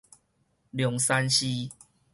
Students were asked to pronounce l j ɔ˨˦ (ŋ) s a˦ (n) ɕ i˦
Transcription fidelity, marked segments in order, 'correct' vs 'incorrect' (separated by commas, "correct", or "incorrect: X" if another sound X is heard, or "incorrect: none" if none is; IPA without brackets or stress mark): correct, correct